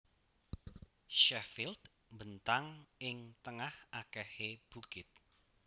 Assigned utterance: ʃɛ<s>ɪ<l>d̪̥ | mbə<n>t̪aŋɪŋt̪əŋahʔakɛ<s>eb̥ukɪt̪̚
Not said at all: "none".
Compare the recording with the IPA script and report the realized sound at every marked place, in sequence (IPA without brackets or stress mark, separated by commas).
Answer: f, l, n, h